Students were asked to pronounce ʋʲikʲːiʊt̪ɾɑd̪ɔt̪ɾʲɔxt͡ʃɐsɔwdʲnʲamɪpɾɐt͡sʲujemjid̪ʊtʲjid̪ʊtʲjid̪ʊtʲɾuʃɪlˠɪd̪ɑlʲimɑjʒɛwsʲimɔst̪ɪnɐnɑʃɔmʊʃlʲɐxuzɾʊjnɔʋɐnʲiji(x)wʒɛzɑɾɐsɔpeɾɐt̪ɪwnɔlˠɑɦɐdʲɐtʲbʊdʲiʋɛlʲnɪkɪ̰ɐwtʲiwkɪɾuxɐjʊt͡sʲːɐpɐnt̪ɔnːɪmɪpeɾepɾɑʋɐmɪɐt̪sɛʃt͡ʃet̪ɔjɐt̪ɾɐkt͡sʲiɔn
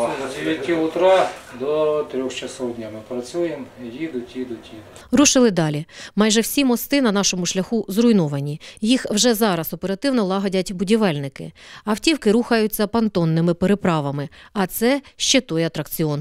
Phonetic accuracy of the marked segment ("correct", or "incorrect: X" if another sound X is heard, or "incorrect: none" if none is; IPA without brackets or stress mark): correct